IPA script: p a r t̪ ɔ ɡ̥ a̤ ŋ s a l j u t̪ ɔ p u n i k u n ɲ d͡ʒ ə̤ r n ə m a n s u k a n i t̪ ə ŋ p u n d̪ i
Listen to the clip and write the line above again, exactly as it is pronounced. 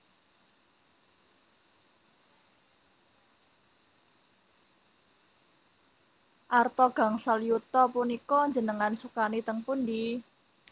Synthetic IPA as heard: ʔ a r t̪ ɔ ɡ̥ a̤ ŋ s a l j u t̪ ɔ p u n i k ɔ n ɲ d͡ʒ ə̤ n ə ŋ a n s u k a n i t̪ ə ŋ p u n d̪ i